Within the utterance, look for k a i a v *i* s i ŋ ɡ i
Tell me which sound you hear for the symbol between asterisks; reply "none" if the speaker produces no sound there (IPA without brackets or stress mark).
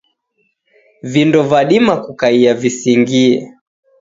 i